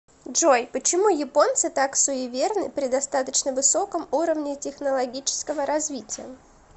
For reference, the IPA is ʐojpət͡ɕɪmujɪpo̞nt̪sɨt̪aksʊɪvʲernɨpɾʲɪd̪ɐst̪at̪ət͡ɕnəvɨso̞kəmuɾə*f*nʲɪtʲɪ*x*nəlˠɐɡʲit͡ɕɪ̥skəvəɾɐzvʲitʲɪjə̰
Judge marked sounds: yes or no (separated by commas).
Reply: no, yes